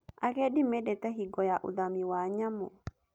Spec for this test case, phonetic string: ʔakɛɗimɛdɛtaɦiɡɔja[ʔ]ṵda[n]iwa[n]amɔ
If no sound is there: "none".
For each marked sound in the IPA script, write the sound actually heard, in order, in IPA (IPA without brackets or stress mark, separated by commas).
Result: ʔ, m, ɲ